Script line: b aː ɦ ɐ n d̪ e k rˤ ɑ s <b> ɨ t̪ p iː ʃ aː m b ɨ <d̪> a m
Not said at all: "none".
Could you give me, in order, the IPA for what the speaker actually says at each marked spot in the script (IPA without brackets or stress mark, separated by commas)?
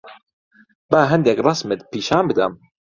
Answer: m, d̪